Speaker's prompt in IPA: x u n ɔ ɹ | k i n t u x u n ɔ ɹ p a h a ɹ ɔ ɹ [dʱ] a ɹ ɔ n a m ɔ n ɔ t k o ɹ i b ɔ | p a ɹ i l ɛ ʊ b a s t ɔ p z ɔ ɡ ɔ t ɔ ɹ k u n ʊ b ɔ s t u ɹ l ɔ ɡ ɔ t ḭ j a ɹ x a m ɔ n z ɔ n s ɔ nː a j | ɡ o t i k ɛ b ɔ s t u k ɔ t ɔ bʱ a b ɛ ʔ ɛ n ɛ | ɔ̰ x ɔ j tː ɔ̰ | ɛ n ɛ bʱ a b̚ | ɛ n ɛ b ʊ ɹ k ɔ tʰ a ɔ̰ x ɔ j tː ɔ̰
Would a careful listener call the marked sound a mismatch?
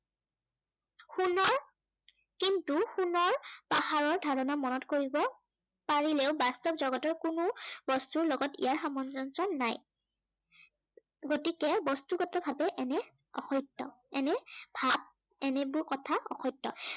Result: no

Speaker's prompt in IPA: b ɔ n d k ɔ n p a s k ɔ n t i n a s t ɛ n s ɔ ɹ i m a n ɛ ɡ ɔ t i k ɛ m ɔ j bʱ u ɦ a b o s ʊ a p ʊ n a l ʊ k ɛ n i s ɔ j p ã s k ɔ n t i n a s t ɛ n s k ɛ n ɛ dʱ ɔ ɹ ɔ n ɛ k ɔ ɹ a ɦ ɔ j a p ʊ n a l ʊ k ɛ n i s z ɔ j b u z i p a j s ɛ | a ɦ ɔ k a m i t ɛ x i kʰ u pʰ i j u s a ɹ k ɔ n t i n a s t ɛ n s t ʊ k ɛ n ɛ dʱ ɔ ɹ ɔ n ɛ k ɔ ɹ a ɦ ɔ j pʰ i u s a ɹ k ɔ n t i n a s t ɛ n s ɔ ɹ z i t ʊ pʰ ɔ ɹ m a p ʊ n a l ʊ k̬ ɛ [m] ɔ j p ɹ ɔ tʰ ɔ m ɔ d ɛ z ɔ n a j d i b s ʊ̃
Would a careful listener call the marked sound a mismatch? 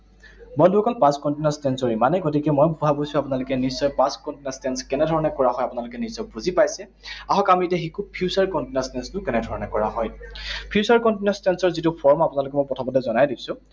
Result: no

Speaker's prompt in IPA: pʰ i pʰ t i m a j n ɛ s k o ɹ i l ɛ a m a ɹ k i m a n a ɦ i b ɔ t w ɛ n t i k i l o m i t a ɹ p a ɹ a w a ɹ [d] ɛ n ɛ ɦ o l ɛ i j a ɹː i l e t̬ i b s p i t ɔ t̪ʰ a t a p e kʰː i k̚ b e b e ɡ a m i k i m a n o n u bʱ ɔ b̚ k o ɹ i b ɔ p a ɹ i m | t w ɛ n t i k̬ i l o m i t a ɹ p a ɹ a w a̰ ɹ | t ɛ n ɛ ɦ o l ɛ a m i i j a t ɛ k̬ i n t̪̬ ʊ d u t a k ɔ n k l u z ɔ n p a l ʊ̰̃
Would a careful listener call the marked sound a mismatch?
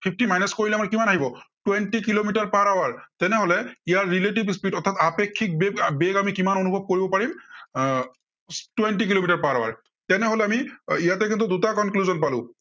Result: yes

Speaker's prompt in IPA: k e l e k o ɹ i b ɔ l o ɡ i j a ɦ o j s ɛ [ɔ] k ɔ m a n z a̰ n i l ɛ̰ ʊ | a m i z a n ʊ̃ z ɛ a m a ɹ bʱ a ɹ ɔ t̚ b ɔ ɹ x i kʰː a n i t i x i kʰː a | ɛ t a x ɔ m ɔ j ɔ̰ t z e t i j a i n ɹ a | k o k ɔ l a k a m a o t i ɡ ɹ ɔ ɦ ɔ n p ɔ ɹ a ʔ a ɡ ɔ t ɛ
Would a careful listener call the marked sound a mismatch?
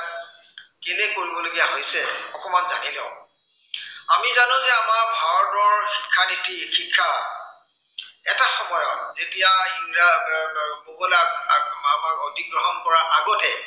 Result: no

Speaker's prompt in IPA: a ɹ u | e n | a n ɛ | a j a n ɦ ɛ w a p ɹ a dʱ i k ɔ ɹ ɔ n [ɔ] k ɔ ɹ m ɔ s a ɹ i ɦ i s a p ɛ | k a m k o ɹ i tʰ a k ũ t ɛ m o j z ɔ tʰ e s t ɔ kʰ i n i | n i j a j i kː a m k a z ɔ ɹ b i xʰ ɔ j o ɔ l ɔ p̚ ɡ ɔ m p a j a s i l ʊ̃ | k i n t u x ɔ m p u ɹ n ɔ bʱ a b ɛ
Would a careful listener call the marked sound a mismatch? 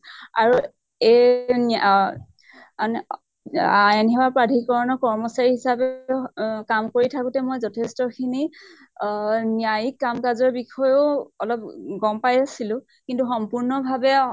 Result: no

